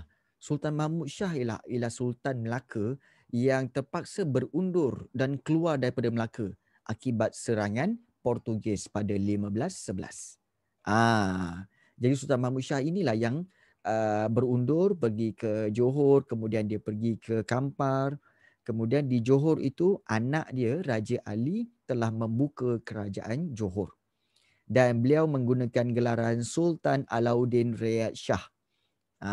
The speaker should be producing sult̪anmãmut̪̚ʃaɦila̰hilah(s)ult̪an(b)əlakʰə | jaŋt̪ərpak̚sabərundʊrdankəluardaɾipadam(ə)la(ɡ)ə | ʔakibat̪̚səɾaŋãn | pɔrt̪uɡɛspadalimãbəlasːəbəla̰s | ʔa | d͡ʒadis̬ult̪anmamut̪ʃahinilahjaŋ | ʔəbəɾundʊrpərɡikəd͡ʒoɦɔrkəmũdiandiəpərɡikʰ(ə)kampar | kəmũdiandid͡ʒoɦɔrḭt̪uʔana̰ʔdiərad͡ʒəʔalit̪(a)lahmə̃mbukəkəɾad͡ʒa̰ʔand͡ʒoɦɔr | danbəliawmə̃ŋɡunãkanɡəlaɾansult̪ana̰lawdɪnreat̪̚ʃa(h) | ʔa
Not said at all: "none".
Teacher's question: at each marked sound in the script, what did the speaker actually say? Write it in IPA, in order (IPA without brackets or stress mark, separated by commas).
s, m, ə, k, ə, ə, h